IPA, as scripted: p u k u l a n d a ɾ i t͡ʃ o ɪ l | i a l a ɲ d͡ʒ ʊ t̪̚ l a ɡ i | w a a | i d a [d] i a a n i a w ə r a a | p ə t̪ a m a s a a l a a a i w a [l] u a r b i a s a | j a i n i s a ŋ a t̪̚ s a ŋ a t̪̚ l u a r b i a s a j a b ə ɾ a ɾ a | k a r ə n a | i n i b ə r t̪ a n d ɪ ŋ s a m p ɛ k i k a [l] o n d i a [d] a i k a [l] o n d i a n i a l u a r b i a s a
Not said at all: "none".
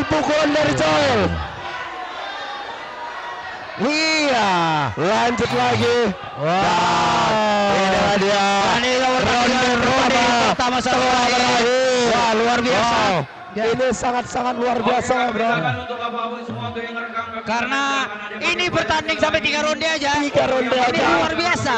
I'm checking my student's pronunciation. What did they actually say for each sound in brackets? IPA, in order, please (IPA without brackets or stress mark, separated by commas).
d, l, ɾ, d͡ʒ, ɾ